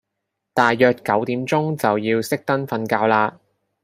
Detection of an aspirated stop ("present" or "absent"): absent